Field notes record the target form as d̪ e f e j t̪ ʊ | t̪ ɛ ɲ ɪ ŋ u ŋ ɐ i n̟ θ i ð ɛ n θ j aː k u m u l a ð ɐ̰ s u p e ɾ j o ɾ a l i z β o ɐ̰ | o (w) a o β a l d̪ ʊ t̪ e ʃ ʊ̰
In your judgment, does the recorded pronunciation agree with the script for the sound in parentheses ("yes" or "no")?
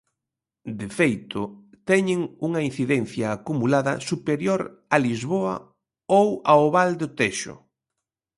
yes